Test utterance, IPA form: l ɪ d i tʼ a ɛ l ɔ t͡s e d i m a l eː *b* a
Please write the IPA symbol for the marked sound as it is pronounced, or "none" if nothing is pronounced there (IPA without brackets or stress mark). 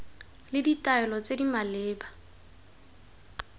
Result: b